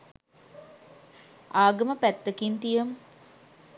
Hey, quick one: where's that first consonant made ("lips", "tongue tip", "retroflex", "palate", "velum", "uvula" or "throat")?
velum